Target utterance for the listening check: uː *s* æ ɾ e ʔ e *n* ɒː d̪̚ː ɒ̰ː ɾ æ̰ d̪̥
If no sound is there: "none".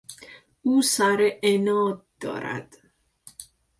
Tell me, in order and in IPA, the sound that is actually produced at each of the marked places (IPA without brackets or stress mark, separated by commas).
s, n